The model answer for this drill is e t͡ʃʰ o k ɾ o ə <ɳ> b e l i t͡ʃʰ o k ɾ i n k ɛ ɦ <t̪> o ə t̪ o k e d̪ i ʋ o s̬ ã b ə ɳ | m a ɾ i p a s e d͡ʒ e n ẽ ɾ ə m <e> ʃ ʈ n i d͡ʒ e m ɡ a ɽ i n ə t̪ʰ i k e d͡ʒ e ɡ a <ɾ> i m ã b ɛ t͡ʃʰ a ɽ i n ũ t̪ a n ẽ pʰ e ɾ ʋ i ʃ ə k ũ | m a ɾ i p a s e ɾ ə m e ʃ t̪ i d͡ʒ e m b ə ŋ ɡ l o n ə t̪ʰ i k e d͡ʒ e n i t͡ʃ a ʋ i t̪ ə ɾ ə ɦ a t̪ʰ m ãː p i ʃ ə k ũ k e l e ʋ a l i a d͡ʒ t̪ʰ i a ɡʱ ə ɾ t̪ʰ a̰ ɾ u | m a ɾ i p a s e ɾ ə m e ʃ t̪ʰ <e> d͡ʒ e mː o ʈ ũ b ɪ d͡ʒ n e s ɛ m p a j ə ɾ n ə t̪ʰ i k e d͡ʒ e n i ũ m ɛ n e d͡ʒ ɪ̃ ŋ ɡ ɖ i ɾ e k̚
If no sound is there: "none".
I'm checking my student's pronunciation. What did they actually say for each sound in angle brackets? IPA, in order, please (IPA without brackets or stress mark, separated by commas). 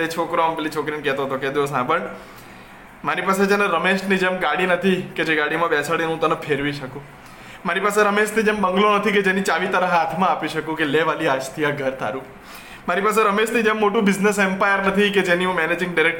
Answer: m, t̪, e, ɽ, i